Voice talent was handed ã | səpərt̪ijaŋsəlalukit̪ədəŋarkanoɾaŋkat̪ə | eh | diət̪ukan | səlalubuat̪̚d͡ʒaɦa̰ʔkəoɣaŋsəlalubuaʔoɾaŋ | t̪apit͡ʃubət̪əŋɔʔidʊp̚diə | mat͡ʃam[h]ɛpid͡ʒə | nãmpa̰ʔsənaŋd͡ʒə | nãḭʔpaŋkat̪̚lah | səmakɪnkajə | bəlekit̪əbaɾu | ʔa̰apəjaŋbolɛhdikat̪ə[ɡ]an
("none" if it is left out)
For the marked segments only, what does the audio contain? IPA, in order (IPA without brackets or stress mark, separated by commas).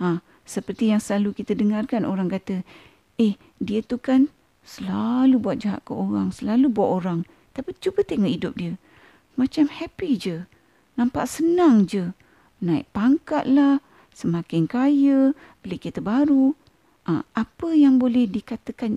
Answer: h, k